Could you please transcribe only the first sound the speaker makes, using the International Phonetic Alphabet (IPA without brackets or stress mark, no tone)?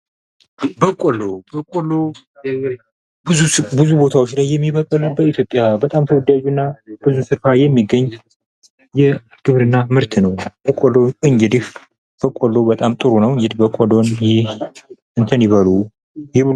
b